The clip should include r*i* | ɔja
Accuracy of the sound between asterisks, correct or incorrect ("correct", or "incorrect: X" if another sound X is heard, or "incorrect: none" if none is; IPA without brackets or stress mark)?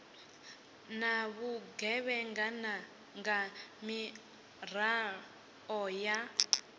incorrect: a